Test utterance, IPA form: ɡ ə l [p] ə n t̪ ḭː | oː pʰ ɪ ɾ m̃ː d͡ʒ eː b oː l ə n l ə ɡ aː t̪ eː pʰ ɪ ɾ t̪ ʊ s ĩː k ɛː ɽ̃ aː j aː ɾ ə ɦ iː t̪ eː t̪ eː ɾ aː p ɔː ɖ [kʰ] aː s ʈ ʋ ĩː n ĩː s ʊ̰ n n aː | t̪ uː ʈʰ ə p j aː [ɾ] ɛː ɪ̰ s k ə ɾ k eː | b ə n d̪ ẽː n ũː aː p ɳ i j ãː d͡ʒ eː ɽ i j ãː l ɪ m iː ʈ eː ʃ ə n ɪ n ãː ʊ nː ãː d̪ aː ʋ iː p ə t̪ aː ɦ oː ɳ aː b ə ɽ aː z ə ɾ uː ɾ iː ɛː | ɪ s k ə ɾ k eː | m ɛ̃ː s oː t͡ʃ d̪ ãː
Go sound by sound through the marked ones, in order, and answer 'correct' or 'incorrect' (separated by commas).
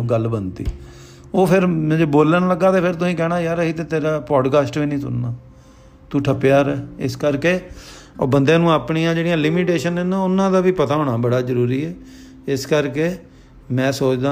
incorrect, incorrect, correct